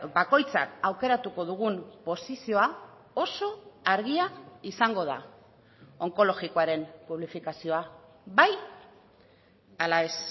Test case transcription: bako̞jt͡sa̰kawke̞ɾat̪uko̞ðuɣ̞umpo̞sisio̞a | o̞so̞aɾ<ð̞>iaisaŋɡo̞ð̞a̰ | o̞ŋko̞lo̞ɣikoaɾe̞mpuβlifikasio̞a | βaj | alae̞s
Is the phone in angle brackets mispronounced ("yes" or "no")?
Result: yes